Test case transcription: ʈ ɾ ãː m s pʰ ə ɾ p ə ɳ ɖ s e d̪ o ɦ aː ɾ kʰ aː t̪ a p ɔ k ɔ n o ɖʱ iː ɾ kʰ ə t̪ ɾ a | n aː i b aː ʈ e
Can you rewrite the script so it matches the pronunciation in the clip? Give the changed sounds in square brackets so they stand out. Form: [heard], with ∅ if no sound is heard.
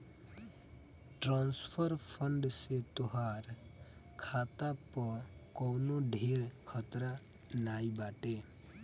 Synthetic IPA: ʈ ɾ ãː [n] s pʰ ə ɾ [pʰ] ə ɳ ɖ s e [t̪] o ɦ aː ɾ kʰ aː t̪ a p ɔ k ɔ n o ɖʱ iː ɾ kʰ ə t̪ ɾ a | n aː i b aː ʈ e